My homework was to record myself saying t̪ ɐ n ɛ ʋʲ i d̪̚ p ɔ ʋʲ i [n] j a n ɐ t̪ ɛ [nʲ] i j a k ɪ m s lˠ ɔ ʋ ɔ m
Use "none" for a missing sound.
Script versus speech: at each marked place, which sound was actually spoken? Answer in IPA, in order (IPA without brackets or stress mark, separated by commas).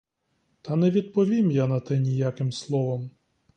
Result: m, nʲ